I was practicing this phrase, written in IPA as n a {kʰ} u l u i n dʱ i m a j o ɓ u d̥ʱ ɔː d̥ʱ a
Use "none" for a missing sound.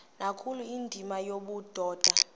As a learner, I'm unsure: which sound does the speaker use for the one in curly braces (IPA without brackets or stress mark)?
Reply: kʰ